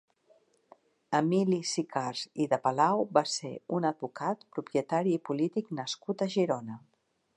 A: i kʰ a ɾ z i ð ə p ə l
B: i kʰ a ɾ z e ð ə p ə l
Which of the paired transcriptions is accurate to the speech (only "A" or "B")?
A